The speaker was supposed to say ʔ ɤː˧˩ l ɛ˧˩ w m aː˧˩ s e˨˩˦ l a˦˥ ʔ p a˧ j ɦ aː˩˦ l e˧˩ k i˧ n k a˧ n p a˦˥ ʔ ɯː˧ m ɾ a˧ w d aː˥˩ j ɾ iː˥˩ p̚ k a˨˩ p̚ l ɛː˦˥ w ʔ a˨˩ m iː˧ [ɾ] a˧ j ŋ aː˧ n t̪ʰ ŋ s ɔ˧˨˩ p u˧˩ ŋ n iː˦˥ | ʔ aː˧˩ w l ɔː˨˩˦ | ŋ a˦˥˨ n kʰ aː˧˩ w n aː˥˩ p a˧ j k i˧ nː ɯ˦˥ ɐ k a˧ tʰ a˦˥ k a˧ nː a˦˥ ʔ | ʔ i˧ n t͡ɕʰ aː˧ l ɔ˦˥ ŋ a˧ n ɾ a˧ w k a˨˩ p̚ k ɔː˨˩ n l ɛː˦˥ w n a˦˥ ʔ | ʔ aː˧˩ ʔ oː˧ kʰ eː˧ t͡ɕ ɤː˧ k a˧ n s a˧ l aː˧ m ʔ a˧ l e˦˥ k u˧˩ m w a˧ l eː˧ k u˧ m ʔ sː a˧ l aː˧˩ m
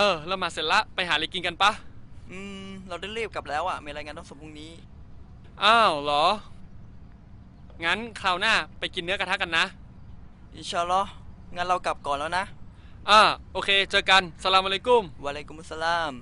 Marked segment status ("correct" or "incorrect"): correct